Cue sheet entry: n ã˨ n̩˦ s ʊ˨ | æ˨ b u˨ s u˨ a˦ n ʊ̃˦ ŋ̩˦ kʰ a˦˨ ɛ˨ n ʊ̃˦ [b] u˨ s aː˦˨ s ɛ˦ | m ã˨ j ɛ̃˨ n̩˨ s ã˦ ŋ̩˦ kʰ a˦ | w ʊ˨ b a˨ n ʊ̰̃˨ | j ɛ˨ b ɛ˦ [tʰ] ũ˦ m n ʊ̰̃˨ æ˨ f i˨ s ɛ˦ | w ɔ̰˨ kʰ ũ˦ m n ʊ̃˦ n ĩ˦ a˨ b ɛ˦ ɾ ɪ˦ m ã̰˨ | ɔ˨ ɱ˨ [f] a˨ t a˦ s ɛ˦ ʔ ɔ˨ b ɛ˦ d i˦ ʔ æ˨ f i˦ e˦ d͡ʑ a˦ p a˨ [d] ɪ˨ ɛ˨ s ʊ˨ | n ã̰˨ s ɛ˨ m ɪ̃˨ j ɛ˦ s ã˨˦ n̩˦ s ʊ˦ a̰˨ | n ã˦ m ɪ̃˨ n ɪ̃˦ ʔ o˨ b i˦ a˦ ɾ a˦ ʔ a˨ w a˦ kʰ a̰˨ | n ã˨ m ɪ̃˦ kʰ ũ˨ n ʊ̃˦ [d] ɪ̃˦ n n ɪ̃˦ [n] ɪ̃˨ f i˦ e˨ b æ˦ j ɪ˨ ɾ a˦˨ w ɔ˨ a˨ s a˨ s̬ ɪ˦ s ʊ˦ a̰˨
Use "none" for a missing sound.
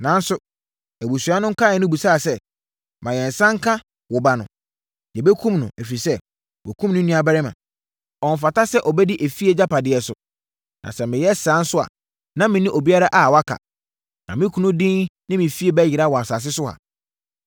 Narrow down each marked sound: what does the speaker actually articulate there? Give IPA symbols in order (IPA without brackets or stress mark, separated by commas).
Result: b, kʰ, f, d, d, m